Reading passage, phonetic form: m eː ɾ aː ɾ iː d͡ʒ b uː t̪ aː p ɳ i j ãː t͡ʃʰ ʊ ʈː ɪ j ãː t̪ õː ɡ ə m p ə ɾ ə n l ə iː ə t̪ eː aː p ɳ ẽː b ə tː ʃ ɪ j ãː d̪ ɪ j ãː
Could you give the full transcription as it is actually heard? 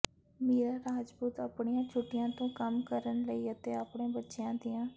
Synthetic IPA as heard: m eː ɾ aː ɾ aː d͡ʒ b uː t̪ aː p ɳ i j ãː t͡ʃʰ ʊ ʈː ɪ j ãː t̪ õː k ə m k ə ɾ ə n l ə iː ə t̪ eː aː p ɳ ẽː b ə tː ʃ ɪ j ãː d̪ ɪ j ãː